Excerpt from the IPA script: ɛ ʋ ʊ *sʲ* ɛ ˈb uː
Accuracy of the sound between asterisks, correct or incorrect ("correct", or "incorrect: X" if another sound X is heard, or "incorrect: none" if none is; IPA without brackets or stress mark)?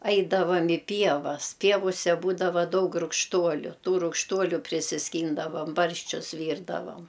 correct